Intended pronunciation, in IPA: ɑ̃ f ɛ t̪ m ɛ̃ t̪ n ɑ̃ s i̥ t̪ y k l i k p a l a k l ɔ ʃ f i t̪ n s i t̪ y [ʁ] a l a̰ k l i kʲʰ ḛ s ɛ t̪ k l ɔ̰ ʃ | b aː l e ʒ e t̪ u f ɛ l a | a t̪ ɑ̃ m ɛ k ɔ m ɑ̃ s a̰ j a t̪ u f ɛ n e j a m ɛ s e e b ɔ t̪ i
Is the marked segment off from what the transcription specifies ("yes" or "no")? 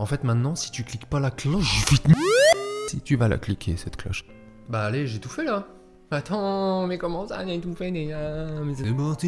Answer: yes